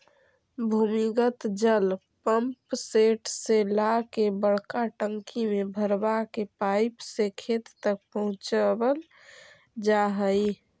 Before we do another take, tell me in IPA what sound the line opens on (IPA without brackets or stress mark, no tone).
bʱ